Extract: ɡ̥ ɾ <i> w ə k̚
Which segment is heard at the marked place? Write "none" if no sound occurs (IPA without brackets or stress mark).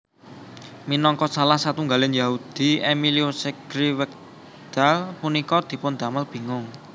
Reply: i